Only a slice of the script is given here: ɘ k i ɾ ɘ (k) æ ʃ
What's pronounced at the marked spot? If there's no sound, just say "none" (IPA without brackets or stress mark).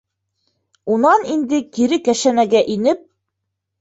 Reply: k